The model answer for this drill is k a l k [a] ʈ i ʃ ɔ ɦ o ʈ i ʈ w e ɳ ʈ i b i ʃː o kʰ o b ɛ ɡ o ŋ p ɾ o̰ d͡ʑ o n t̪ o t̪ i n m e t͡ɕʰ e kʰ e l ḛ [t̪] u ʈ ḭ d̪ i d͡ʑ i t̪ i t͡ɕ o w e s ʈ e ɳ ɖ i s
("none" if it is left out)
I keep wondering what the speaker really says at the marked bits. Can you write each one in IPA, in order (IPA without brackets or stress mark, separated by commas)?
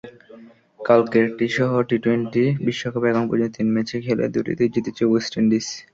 e, d̪